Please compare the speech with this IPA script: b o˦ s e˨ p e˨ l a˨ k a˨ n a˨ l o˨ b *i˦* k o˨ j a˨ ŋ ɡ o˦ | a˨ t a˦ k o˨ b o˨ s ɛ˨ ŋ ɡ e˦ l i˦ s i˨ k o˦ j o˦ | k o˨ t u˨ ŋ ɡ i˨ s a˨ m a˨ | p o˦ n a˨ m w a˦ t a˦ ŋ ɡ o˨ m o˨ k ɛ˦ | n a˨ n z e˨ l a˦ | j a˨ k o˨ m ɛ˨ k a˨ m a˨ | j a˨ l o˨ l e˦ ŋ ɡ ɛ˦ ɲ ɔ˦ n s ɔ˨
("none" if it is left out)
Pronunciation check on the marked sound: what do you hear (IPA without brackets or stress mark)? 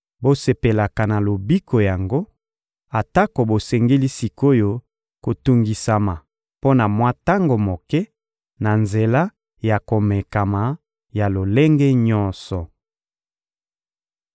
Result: i˦